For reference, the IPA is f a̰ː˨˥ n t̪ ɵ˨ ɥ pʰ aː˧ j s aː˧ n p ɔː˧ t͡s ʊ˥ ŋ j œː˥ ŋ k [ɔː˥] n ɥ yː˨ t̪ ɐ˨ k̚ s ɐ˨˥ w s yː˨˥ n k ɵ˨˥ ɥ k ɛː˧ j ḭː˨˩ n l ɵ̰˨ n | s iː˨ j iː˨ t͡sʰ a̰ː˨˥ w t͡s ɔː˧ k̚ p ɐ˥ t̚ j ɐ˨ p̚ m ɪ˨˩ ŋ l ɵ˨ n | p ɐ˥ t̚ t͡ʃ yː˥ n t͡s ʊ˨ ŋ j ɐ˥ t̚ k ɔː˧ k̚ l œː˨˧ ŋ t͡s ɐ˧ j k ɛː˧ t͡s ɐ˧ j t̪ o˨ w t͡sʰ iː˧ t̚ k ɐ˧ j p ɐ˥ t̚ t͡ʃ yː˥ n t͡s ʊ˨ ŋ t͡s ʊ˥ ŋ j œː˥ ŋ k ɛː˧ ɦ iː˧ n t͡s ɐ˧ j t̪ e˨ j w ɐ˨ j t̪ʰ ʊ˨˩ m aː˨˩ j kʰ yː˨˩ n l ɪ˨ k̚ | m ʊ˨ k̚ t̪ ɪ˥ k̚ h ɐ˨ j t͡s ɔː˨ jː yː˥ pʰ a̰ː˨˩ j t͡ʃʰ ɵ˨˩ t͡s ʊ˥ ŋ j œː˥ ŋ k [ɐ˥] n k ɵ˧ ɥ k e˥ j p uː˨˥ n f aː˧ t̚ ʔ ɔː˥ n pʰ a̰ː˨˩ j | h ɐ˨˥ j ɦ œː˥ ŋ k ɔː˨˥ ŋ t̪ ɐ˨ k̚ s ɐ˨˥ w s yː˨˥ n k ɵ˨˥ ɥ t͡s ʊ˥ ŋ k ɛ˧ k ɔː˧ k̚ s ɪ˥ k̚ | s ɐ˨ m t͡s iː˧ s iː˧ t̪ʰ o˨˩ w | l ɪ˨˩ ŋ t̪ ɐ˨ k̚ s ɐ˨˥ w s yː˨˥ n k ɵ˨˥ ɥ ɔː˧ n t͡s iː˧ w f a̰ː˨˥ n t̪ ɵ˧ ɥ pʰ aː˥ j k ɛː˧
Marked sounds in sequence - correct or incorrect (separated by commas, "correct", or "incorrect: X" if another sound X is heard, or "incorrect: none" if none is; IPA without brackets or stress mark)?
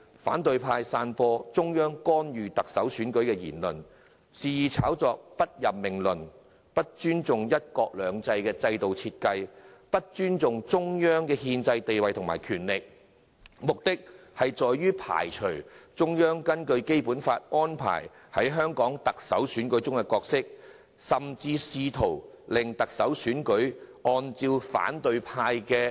correct, correct